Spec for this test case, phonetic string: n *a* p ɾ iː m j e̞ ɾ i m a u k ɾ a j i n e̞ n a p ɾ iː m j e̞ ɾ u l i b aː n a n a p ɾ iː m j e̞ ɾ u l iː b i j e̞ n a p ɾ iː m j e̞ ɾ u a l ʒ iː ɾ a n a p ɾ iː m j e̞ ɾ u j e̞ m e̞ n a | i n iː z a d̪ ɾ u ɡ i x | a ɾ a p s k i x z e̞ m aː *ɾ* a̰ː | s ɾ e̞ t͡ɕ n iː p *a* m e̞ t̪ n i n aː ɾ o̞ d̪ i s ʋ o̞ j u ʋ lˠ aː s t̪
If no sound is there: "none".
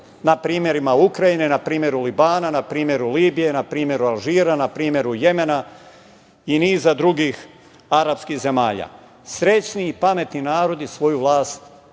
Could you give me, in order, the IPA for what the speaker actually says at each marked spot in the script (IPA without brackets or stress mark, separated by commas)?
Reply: a, ʎ, a